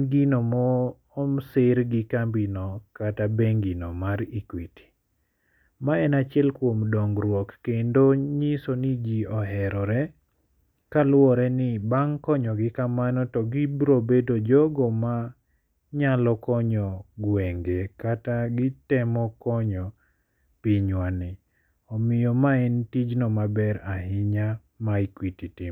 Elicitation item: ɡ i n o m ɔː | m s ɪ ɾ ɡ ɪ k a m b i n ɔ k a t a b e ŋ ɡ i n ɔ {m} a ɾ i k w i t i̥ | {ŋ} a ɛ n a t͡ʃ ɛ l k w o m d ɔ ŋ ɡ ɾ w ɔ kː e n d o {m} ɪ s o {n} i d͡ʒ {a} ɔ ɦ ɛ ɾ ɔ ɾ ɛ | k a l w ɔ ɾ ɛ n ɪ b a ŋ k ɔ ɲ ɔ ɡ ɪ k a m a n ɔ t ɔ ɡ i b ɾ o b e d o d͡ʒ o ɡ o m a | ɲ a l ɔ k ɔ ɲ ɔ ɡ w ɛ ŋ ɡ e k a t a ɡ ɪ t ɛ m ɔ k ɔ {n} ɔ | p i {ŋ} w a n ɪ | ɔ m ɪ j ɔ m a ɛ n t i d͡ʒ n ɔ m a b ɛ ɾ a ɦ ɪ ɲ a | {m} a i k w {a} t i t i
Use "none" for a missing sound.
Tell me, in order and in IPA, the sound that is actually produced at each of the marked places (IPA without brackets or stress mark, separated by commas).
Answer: m, m, ɲ, n, i, ɲ, ɲ, m, i